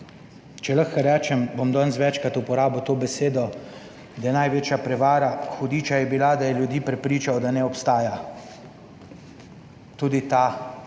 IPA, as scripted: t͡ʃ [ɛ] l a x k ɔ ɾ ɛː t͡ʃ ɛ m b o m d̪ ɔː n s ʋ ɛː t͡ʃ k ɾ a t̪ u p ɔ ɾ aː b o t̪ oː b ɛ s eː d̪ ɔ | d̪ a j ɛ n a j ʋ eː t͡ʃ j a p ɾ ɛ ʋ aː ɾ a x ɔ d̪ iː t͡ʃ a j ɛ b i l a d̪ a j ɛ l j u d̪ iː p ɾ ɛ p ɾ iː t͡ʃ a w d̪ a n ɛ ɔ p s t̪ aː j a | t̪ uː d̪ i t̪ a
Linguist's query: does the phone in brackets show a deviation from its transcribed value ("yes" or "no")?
no